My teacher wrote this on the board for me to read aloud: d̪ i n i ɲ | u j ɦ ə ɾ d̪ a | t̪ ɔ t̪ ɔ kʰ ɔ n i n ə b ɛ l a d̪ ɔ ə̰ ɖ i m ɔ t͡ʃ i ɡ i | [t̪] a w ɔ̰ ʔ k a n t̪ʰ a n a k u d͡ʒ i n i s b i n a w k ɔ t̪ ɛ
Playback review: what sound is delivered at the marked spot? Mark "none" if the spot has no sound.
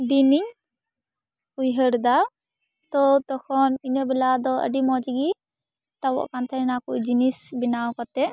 t̪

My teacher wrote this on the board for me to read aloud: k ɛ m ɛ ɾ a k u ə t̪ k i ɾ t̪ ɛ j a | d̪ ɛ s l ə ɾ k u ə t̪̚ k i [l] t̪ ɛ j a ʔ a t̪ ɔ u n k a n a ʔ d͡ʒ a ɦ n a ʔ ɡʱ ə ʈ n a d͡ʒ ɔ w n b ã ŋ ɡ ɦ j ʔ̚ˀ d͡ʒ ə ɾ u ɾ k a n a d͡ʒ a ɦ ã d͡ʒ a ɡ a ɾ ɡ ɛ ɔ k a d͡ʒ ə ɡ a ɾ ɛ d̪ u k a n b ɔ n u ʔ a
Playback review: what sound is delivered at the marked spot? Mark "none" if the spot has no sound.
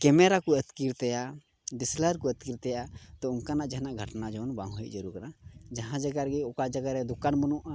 ɾ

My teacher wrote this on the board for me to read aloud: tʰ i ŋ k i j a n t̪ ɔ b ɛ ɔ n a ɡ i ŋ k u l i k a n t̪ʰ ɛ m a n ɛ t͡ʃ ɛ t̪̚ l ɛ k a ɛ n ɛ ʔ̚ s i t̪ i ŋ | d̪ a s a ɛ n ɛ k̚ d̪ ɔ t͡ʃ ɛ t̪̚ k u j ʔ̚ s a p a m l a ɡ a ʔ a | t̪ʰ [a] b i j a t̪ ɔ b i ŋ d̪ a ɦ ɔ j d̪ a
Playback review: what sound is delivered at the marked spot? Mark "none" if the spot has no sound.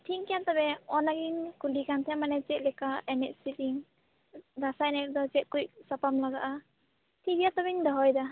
i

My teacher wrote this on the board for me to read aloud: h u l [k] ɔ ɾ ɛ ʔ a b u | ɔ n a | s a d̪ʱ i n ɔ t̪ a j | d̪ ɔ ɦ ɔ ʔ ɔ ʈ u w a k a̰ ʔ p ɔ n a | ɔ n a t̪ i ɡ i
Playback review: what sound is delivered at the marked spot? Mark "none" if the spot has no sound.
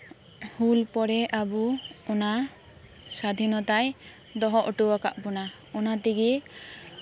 p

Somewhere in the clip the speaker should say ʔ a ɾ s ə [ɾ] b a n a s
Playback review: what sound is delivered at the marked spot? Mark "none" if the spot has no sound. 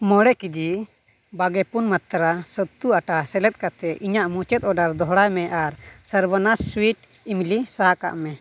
ɾ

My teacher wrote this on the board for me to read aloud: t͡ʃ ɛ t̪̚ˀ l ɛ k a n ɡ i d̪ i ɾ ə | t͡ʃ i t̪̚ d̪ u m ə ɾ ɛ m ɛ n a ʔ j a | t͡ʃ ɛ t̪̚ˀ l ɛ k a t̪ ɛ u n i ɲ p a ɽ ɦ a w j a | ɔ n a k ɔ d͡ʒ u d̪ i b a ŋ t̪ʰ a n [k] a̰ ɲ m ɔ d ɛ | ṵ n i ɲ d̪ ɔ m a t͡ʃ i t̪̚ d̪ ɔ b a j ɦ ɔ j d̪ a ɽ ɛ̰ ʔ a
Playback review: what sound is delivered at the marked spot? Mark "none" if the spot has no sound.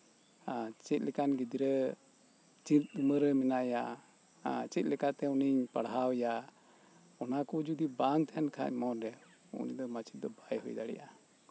kʰ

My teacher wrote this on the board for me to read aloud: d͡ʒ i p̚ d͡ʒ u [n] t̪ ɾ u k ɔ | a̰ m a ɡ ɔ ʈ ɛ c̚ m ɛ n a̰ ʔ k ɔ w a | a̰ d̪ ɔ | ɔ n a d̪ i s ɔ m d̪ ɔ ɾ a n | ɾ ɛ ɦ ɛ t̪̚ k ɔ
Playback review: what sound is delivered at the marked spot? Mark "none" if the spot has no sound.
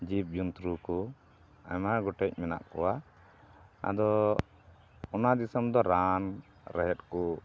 n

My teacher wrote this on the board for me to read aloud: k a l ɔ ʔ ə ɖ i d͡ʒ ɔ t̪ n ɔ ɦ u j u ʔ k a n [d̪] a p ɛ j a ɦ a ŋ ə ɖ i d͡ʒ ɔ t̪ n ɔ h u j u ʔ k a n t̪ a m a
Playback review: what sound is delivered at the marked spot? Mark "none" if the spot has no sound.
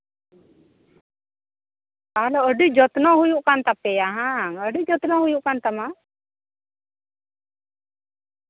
t̪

